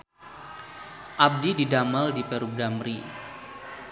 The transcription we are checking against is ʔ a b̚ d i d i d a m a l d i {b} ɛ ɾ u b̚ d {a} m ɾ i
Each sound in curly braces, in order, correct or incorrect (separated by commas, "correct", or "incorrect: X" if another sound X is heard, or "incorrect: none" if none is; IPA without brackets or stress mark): incorrect: p, correct